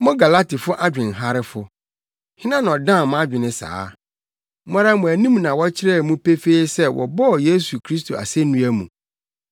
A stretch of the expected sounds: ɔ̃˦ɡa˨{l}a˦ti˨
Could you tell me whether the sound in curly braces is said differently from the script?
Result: no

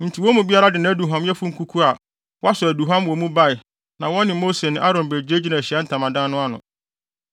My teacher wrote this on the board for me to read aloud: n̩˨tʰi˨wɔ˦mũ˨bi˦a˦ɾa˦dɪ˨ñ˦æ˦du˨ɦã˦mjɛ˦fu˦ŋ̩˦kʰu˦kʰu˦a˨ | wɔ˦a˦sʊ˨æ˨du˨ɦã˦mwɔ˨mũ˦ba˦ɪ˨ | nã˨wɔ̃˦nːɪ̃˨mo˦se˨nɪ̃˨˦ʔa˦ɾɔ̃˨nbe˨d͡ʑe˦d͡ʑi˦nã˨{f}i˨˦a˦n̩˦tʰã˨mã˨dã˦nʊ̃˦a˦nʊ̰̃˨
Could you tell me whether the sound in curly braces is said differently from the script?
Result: yes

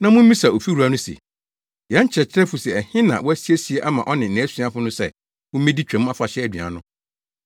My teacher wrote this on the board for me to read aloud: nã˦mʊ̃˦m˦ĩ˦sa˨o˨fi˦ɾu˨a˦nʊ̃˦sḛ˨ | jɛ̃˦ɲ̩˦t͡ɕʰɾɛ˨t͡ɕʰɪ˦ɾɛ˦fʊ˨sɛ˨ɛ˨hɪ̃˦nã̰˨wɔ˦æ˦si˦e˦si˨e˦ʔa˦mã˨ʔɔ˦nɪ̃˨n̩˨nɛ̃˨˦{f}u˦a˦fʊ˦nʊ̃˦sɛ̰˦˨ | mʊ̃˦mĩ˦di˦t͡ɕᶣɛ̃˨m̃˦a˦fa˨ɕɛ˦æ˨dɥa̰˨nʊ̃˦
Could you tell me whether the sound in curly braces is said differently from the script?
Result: yes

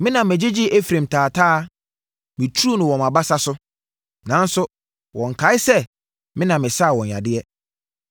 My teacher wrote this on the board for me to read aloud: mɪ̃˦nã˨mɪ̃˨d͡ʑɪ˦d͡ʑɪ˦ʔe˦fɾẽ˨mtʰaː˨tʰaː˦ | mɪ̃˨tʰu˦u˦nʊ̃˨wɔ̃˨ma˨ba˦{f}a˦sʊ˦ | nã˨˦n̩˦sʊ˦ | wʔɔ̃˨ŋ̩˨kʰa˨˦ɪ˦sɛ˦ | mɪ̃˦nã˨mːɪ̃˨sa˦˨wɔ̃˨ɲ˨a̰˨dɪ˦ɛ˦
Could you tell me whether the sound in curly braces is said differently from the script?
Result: yes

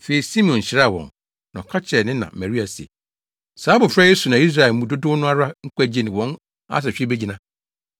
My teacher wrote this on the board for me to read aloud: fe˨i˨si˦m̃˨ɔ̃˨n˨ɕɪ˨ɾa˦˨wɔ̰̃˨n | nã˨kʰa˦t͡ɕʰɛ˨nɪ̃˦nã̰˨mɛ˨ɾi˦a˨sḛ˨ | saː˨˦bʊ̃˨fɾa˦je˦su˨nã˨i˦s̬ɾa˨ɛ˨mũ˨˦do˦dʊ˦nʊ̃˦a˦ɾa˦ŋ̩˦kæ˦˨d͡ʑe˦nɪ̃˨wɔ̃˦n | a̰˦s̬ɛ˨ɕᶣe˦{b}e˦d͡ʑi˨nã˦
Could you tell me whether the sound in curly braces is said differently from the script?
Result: no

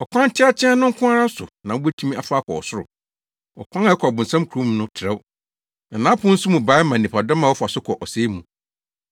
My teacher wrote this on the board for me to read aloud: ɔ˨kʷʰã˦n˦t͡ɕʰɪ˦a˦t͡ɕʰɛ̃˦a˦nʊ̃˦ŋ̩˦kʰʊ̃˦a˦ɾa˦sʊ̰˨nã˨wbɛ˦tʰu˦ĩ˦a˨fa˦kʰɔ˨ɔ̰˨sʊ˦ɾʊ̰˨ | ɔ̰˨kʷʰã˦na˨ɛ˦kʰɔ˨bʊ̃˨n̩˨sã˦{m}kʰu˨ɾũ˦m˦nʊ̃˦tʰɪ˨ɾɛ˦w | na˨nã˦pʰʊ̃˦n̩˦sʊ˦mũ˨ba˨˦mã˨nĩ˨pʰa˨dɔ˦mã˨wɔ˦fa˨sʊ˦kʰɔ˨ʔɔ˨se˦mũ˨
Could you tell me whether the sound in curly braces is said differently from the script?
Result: no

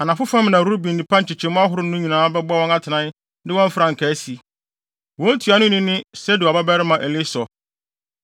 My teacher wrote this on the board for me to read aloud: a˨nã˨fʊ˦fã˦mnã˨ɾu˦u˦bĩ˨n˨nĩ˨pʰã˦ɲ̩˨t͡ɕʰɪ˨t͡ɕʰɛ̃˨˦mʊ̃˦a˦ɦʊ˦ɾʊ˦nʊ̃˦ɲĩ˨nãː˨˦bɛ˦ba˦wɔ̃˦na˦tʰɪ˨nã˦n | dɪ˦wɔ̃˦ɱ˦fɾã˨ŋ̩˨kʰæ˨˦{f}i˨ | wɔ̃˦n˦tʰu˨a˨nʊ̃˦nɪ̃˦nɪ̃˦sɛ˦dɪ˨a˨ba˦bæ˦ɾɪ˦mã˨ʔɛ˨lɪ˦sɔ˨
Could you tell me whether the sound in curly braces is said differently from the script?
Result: yes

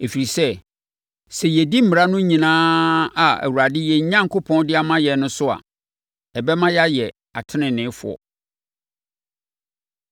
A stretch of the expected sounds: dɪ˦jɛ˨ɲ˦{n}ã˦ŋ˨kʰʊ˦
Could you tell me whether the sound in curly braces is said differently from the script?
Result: yes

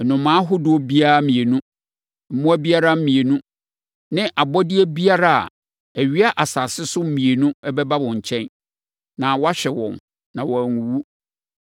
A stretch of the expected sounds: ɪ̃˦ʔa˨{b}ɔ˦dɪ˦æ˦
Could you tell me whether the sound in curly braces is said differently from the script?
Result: no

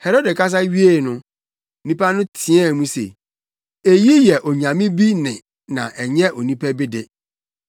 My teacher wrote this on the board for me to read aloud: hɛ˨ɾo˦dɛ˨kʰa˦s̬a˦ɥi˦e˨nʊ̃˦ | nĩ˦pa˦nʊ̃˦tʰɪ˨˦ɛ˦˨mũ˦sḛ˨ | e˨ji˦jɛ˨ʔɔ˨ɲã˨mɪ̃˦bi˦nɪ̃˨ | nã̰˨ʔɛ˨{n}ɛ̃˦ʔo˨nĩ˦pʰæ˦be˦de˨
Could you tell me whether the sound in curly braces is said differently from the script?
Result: yes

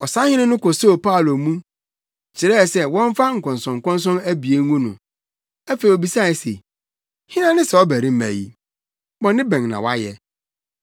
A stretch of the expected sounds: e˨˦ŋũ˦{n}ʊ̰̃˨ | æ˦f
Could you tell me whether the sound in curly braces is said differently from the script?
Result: no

